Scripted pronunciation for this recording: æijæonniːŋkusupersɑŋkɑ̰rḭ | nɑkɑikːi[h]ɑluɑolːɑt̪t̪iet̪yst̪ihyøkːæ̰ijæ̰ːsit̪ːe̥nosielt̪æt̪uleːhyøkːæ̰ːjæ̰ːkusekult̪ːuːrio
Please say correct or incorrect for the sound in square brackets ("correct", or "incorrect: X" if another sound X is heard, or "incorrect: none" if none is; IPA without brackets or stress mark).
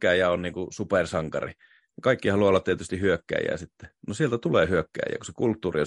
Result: correct